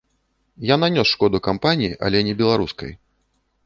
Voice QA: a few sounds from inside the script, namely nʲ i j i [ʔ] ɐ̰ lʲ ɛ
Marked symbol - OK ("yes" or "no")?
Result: yes